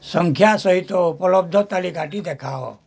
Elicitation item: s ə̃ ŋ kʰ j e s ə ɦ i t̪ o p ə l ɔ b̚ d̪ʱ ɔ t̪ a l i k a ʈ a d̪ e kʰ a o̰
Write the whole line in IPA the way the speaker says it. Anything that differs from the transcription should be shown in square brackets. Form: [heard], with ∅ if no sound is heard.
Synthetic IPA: s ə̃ ŋ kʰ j [a] s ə ɦ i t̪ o p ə l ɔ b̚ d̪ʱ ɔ t̪ a l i k a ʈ [i] d̪ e kʰ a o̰